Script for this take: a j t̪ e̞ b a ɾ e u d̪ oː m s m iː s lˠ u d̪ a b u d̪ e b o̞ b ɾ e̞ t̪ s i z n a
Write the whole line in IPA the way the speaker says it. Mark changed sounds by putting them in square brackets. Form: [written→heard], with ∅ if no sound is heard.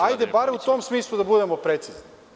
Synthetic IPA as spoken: a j [t̪→d̪] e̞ b a ɾ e u [d̪→t̪] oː m s m iː s lˠ u d̪ a b u d̪ e [b→m] o̞ [b→p] ɾ e̞ t̪ s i z n [a→i]